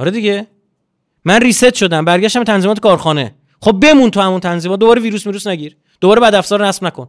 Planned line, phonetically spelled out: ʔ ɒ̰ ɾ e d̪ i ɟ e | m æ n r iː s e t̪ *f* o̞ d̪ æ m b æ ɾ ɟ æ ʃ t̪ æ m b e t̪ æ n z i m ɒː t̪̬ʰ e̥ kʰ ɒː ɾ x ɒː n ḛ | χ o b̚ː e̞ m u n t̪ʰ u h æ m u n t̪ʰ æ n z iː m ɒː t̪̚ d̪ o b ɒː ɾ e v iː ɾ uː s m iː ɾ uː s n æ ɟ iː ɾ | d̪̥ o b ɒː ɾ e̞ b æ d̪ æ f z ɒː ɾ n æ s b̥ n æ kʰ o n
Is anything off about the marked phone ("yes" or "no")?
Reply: yes